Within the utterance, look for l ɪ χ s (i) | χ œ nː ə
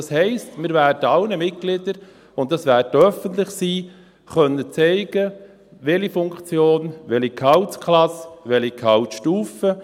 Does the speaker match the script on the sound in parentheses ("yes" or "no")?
no